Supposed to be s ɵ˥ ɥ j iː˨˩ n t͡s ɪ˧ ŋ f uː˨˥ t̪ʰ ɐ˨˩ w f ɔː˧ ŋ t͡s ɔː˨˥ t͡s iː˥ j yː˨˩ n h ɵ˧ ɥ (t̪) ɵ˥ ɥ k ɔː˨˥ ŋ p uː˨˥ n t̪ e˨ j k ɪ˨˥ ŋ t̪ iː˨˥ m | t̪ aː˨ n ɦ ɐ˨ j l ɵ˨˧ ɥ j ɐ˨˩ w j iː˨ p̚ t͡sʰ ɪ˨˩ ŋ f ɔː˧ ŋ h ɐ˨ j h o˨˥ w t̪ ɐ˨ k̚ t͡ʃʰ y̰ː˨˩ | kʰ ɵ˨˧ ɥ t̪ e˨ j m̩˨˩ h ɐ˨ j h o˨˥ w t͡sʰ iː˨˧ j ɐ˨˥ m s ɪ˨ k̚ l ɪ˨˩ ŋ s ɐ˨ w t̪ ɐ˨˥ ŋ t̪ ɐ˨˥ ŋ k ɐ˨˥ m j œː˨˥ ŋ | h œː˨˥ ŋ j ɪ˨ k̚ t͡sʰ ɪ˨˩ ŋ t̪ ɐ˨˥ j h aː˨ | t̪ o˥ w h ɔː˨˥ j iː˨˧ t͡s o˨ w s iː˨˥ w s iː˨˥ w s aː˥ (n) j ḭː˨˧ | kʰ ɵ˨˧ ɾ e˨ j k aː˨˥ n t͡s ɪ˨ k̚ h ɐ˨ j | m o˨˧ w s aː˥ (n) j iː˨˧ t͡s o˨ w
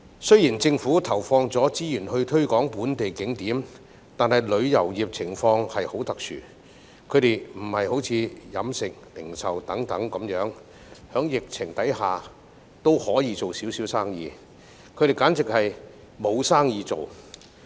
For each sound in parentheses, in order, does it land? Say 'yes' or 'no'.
no, no, no

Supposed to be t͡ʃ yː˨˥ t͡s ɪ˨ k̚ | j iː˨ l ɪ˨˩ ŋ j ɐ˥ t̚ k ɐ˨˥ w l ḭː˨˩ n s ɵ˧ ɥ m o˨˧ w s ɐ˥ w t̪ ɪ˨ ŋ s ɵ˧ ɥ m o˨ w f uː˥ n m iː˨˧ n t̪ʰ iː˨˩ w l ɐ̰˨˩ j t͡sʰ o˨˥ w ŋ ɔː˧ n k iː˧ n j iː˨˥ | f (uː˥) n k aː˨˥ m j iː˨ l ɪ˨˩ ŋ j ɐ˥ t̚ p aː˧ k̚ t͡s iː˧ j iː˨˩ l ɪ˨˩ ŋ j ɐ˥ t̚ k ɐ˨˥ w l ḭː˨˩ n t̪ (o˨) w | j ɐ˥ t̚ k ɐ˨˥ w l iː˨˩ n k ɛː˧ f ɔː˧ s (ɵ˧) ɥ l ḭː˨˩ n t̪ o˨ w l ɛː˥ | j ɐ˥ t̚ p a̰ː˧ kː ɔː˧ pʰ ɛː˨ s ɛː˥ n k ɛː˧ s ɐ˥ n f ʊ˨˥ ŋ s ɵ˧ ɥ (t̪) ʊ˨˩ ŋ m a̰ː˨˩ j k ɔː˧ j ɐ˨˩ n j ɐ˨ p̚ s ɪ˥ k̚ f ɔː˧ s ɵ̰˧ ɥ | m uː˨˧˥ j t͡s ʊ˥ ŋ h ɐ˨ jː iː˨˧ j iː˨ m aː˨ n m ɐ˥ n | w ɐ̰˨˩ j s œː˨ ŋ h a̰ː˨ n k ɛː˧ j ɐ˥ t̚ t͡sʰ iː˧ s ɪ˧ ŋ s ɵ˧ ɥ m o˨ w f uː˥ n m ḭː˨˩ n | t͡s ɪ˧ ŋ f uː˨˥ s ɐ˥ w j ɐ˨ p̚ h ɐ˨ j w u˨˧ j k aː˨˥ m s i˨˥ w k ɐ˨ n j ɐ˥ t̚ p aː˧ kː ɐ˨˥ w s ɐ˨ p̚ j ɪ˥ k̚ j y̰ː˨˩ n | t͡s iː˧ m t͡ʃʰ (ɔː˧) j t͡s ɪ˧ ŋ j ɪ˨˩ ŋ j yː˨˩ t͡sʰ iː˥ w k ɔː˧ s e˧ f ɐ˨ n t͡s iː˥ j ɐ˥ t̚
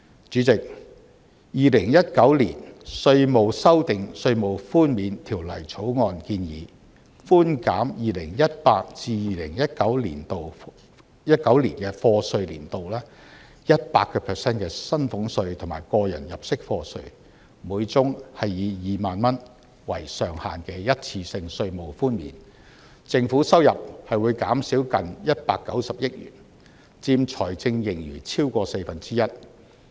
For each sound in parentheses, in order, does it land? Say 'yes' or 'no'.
yes, yes, yes, no, no

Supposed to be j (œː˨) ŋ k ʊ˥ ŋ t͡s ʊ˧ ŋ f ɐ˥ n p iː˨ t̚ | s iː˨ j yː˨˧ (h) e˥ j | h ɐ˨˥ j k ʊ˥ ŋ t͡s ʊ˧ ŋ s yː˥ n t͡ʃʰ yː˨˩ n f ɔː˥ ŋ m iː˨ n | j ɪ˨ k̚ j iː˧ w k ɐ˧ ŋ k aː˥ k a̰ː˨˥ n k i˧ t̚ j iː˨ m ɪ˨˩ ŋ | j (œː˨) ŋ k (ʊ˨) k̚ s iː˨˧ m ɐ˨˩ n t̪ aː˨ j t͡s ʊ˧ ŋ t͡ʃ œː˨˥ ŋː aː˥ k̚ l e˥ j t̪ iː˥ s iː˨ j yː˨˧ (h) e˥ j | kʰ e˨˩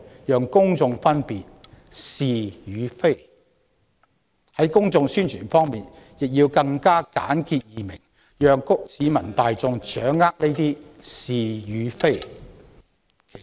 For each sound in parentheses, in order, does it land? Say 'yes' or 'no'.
yes, no, yes, no, no

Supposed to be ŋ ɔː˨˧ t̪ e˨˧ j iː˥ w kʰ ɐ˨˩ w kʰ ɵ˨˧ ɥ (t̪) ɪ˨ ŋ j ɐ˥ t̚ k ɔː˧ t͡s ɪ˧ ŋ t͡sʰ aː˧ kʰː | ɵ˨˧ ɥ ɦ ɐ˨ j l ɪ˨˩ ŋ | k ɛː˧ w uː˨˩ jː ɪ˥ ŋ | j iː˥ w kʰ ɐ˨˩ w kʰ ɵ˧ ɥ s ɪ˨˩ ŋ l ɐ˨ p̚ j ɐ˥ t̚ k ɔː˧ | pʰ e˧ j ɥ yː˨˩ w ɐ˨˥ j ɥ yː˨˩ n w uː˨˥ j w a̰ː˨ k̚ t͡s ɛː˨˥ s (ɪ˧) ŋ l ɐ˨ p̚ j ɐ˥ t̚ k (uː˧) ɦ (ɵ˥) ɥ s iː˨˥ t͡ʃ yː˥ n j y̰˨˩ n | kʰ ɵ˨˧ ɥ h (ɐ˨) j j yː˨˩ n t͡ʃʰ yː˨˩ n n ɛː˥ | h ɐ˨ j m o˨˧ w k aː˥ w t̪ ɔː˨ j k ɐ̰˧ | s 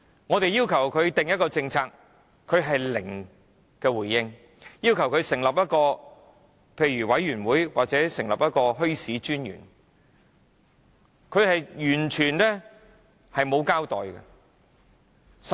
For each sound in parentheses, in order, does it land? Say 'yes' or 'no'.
yes, no, no, yes, yes

